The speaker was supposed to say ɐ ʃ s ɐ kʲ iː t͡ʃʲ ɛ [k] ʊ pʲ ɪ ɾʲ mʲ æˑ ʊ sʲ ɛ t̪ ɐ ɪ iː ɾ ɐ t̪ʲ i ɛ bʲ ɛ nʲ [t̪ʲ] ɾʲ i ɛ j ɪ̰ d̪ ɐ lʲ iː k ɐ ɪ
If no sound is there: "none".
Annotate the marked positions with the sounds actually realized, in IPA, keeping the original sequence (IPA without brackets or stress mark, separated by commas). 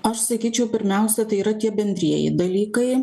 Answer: none, d̪ʲ